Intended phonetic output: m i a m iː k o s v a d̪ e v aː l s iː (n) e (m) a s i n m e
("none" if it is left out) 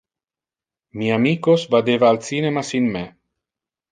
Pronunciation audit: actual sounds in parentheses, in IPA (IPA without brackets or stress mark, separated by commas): n, m